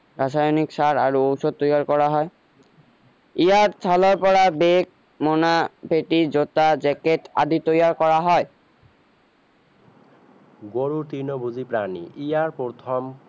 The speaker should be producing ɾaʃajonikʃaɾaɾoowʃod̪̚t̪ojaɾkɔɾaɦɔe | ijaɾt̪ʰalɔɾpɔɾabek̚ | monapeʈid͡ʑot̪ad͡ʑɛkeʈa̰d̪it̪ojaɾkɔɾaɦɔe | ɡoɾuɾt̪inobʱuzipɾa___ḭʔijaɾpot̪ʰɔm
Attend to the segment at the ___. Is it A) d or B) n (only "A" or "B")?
B